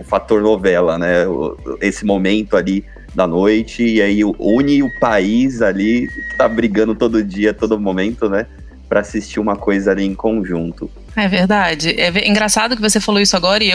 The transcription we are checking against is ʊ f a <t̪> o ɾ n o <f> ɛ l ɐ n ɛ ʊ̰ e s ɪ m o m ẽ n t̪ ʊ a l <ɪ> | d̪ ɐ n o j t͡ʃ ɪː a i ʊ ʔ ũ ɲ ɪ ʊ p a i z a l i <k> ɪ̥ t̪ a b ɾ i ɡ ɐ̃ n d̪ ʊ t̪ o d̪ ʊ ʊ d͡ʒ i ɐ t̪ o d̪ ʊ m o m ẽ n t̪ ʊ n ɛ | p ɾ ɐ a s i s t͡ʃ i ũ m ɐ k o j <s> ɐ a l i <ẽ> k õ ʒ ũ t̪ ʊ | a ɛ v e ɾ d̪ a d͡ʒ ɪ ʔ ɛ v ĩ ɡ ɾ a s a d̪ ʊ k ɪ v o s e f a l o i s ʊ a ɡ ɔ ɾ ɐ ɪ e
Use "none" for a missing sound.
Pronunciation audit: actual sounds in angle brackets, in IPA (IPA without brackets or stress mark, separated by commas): t̪, v, i, k, z, ẽ